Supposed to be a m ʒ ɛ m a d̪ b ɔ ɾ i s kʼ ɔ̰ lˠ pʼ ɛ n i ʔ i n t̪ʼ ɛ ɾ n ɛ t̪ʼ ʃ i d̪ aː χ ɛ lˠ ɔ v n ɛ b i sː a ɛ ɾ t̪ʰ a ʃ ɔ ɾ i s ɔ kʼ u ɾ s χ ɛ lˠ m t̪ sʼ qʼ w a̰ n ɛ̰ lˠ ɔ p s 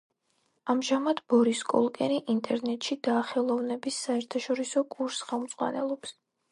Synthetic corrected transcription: a m ʒ a m a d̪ b ɔ ɾ i s kʼ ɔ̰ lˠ kʼ ɛ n i ʔ i n t̪ʼ ɛ ɾ n ɛ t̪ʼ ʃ i d̪ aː χ ɛ lˠ ɔ v n ɛ b i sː a ɛ ɾ t̪ʰ a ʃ ɔ ɾ i s ɔ kʼ u ɾ s χ ɛ lˠ m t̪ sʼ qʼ w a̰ n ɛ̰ lˠ ɔ p s